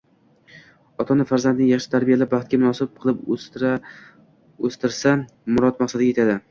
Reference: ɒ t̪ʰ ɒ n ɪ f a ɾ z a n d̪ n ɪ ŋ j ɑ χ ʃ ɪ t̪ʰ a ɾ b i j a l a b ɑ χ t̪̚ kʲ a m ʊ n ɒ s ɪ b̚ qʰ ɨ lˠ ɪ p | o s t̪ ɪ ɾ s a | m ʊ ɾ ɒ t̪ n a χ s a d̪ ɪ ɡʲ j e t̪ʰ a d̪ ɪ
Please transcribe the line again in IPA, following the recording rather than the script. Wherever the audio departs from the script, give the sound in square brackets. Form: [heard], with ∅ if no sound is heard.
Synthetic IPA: ɒ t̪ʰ ɒ n ɪ f a ɾ z a n d̪ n ɪ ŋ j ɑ χ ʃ ɪ t̪ʰ a ɾ b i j a l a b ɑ χ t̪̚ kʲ a m ʊ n ɒ s ɪ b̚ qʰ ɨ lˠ ɪ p | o s t̪ ɪ ɾ s a | m ʊ ɾ ɒ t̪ [m] a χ s a d̪ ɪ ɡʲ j e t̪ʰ a d̪ ɪ